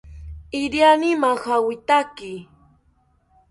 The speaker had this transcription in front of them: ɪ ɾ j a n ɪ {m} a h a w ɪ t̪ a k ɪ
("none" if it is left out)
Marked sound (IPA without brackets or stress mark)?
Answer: m